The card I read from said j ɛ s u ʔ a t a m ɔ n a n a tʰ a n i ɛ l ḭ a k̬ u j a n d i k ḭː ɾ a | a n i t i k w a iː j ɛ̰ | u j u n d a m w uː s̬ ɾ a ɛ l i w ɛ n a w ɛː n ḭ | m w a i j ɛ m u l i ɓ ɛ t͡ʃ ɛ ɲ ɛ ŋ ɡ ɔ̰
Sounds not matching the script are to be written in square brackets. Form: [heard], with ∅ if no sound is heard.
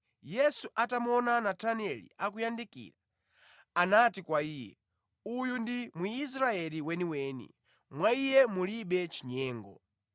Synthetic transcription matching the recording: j ɛ s u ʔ a t a m ɔ n a n a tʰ a n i ɛ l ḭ a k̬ u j a n d i k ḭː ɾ a | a n [a] t i k w a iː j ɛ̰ | u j u n d [i] m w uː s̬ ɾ a ɛ l i w ɛ n [i] w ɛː n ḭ | m w a i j ɛ m u l i ɓ ɛ t͡ʃ [i] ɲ [ɛː] ŋ ɡ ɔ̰